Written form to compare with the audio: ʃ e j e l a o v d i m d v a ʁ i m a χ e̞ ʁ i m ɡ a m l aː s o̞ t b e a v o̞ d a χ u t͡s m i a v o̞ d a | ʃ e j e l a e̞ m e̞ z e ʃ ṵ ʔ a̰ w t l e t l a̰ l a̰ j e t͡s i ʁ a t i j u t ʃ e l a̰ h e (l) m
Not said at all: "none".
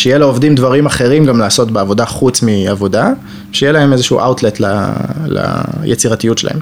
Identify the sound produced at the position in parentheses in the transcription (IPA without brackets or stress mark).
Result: none